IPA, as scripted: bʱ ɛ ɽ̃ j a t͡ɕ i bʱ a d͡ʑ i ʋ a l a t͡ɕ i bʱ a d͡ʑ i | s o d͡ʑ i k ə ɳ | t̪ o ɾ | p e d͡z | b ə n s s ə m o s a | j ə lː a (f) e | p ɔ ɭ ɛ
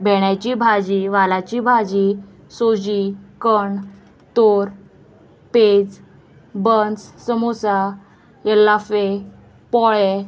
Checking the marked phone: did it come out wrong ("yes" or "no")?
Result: no